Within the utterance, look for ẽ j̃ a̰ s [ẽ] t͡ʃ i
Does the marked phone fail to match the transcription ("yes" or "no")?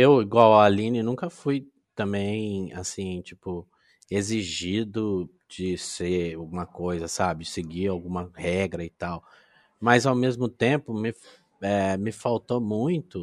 yes